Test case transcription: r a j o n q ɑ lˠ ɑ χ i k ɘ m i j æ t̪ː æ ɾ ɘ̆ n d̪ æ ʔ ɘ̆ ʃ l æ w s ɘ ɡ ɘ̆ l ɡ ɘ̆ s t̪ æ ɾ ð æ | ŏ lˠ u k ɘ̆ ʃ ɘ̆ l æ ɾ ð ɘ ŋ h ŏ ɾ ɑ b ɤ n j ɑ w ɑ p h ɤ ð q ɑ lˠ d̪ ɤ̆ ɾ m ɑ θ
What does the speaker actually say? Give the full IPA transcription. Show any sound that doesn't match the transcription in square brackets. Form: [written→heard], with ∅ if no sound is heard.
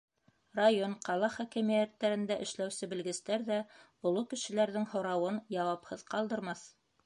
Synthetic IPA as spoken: r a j o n q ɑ lˠ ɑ χ [i→æ] k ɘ m i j æ t̪ː æ ɾ ɘ̆ n d̪ æ ʔ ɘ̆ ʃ l æ w s ɘ [ɡ→b] ɘ̆ l ɡ ɘ̆ s t̪ æ ɾ ð æ | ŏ lˠ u k ɘ̆ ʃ ɘ̆ l æ ɾ ð ɘ ŋ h ŏ ɾ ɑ [b→w] ɤ n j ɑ w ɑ p h ɤ ð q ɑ lˠ d̪ ɤ̆ ɾ m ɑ θ

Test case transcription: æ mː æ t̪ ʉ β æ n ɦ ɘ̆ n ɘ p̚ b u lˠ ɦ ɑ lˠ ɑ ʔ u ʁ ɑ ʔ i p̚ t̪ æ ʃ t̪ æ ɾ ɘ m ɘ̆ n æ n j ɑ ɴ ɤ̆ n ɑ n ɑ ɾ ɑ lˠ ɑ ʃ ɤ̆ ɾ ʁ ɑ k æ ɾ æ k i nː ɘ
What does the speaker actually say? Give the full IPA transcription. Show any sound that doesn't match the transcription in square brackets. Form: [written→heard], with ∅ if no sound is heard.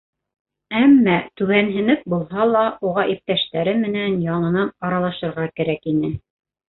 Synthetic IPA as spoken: æ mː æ t̪ ʉ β æ n ɦ ɘ̆ n ɘ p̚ b u lˠ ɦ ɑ lˠ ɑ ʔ u ʁ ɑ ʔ i p̚ t̪ æ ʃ t̪ æ ɾ ɘ m ɘ̆ n æ n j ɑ ɴ ɤ̆ n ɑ n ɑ ɾ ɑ lˠ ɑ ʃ ɤ̆ ɾ ʁ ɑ k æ ɾ æ k i [nː→n] ɘ

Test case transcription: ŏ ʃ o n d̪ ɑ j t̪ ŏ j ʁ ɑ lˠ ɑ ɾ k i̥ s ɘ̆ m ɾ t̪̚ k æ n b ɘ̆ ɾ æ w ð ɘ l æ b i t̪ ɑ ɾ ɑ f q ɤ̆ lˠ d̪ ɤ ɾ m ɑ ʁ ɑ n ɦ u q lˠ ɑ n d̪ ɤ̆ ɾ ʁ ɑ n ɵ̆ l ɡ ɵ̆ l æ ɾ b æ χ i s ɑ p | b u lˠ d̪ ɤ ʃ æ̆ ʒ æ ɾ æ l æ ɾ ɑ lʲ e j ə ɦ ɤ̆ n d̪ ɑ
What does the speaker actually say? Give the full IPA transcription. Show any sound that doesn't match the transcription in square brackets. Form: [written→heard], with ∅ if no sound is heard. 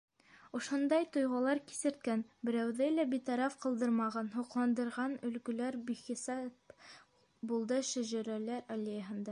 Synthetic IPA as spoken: ŏ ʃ o n d̪ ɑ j t̪ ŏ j ʁ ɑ lˠ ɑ ɾ k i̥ s ɘ̆ [m→∅] ɾ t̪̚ k æ n b ɘ̆ ɾ æ w ð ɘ l æ b i t̪ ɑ ɾ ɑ f q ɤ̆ lˠ d̪ ɤ ɾ m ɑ ʁ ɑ n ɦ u q lˠ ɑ n d̪ ɤ̆ ɾ ʁ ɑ n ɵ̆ l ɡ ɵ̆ l æ ɾ b [æ→i] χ i s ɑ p | b u lˠ d̪ ɤ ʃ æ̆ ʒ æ ɾ æ l æ ɾ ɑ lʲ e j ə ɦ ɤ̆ n d̪ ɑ

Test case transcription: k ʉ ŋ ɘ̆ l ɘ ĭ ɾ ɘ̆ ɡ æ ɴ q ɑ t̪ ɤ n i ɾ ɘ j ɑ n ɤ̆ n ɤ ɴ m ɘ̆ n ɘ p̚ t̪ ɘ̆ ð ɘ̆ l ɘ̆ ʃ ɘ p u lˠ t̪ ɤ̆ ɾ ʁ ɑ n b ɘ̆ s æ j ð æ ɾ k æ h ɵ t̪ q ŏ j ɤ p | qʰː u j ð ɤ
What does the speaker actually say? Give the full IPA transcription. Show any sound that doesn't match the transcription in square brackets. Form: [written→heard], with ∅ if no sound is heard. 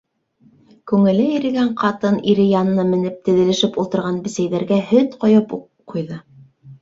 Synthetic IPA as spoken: k ʉ ŋ ɘ̆ l ɘ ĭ ɾ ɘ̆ ɡ æ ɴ q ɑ t̪ ɤ n i ɾ ɘ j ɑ n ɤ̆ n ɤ [ɴ→∅] m ɘ̆ n ɘ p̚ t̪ ɘ̆ ð ɘ̆ l ɘ̆ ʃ ɘ p u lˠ t̪ ɤ̆ ɾ ʁ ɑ n b ɘ̆ s æ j ð æ ɾ [k→ɡ] æ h ɵ t̪ q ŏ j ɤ p | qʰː u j ð ɤ

